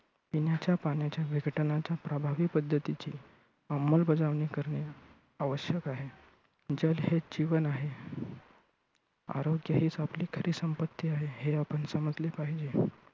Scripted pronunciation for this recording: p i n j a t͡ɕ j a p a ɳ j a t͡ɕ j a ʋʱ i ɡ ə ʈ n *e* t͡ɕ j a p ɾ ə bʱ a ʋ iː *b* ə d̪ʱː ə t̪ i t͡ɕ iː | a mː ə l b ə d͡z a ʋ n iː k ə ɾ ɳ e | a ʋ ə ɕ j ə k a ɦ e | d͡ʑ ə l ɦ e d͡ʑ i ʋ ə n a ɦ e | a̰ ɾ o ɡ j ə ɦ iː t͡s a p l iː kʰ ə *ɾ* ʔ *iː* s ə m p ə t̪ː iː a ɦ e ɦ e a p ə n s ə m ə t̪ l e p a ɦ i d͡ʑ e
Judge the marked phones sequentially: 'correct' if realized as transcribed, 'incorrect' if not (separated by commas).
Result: incorrect, incorrect, correct, correct